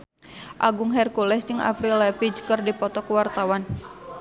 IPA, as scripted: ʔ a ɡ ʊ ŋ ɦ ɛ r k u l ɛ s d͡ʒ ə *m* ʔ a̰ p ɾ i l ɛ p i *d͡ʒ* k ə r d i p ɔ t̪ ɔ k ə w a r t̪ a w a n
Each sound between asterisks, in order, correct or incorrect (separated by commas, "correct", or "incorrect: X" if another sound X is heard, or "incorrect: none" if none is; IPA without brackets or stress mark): incorrect: ŋ, correct